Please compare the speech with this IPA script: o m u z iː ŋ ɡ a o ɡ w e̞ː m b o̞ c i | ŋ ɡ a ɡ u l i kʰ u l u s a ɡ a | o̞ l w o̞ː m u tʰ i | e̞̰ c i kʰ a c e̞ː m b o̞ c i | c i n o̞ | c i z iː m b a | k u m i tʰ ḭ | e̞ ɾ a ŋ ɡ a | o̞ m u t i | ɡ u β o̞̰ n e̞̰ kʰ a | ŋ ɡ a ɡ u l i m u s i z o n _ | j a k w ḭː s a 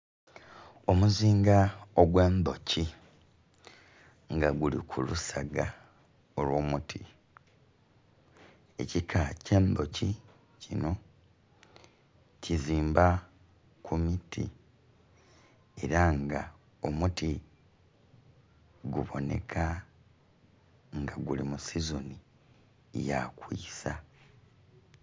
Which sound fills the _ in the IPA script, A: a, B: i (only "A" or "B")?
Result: B